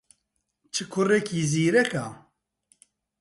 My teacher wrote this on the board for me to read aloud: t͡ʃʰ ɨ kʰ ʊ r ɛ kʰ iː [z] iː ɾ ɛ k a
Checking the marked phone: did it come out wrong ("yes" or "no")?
no